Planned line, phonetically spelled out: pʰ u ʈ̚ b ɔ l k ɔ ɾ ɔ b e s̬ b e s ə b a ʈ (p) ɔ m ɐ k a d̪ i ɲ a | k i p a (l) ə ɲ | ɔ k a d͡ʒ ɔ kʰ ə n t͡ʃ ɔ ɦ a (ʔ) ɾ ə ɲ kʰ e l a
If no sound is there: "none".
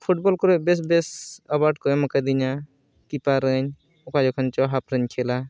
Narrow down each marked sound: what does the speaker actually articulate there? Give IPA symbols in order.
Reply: k, ɾ, p

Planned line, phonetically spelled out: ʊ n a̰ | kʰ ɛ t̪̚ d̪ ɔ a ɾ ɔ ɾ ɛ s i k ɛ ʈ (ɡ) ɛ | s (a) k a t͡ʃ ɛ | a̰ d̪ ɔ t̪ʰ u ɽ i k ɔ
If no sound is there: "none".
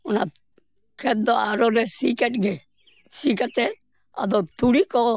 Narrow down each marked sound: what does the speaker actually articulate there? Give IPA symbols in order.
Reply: ɡ, i

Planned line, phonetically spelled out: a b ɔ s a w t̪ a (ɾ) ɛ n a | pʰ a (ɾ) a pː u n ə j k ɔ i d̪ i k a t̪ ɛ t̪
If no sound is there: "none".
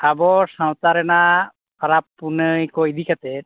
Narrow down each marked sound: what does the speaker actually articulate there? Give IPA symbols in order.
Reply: ɾ, ɾ

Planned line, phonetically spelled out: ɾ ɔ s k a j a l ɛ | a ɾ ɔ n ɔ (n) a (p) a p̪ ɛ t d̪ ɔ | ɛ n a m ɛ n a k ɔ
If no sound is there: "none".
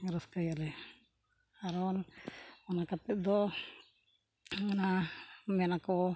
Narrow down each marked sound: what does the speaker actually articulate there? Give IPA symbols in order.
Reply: n, k

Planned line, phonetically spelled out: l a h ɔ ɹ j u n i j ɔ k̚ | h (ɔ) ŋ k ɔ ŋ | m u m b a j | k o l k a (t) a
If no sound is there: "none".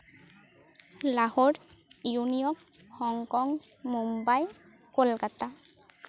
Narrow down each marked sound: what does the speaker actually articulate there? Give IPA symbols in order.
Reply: ɔ, t

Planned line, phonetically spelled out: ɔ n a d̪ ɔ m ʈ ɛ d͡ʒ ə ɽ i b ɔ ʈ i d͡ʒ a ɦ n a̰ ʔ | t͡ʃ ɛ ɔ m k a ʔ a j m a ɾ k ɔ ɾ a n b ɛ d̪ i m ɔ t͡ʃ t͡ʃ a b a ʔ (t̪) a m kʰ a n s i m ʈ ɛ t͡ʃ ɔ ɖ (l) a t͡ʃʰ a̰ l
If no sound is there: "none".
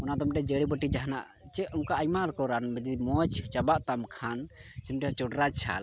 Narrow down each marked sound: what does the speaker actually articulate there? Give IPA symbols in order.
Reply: t̪, ɾ

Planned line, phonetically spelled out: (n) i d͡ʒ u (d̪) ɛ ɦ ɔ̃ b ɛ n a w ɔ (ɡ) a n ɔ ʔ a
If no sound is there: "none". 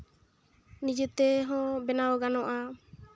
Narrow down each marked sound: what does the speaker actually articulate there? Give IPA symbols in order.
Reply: n, t̪, ɡ

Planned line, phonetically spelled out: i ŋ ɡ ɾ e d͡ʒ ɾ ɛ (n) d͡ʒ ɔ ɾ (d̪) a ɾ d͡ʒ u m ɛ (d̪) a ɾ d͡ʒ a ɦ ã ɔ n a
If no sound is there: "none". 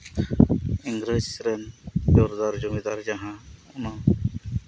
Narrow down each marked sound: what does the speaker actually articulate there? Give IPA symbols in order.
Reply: n, d̪, d̪

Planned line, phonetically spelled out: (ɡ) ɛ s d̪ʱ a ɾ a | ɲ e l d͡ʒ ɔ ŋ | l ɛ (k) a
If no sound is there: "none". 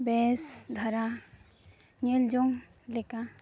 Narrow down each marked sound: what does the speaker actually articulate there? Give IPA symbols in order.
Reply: b, k

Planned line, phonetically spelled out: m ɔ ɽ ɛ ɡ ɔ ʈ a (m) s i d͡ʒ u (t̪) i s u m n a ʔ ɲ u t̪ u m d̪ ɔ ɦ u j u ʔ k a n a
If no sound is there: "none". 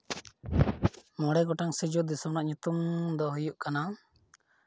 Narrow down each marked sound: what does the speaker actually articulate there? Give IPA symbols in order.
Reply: ŋ, d̪

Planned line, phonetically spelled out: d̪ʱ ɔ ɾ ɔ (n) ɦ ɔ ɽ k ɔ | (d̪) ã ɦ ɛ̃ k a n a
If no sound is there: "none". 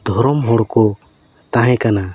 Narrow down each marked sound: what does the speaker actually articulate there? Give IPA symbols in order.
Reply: m, t̪

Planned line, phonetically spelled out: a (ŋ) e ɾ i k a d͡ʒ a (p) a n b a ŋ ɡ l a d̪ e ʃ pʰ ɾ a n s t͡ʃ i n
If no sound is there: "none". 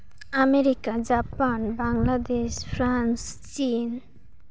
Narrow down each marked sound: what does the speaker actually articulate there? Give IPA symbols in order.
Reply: m, p

